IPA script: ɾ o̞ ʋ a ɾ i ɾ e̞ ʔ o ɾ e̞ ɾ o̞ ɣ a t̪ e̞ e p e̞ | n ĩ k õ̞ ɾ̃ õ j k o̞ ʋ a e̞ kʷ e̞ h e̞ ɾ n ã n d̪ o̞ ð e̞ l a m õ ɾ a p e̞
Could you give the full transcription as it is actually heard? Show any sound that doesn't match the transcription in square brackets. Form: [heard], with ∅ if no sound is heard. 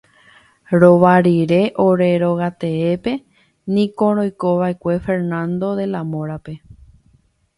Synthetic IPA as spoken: ɾ o̞ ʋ a ɾ i ɾ e̞ ʔ o ɾ e̞ ɾ o̞ ɣ a t̪ e̞ e p e̞ | n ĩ k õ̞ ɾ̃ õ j k o̞ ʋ a e̞ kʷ e̞ [f] e̞ ɾ n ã n d̪ o̞ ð e̞ l a m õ ɾ a p e̞